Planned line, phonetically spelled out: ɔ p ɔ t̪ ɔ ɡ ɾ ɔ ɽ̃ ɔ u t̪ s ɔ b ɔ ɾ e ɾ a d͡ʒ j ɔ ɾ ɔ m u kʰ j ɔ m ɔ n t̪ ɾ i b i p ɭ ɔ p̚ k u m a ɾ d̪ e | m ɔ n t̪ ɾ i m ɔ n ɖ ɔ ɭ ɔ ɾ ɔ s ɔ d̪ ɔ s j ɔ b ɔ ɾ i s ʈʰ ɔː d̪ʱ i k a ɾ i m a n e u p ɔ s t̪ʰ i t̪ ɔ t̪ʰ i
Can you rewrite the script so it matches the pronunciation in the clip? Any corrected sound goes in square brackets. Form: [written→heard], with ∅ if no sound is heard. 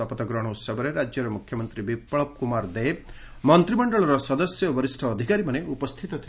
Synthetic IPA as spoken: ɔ p ɔ t̪ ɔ ɡ ɾ ɔ ɽ̃ ɔ u t̪ s ɔ b ɔ ɾ e ɾ a d͡ʒ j ɔ ɾ ɔ m u kʰ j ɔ m ɔ n t̪ ɾ i b i p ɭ ɔ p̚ k u m a ɾ d̪ e | m ɔ n t̪ ɾ i m ɔ [n→ɳ] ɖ ɔ ɭ ɔ ɾ ɔ s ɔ d̪ ɔ s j ɔ b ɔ ɾ i s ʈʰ ɔː d̪ʱ i k a ɾ i m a n e u p ɔ s t̪ʰ i t̪ ɔ t̪ʰ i